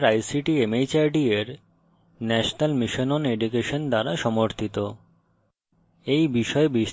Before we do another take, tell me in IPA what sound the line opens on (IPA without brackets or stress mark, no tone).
ɾ